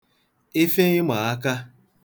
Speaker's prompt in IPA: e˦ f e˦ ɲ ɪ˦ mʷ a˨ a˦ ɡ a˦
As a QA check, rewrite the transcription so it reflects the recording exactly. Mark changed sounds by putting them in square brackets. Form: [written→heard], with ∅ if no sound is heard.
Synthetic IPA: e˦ f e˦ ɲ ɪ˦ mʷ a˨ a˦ [ɡ→k] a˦